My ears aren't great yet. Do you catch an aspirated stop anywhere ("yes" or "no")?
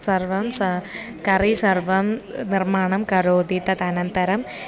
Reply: no